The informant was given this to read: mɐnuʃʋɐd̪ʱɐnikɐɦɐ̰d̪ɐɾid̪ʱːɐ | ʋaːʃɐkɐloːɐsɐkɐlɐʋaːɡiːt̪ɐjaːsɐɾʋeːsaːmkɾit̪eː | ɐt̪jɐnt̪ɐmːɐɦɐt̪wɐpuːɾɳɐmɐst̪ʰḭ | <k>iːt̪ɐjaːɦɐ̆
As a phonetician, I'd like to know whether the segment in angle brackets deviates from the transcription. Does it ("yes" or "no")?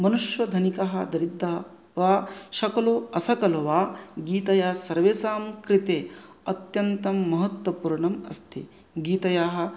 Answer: yes